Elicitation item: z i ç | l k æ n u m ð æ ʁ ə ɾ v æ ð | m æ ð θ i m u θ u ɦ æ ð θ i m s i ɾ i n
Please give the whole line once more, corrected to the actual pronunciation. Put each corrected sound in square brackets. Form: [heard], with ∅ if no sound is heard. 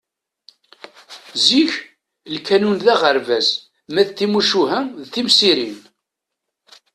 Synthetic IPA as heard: z i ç | l k æ n u [n] ð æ ʁ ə ɾ v æ [z] | m æ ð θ i m u [ʃ] u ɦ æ ð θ i m s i ɾ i n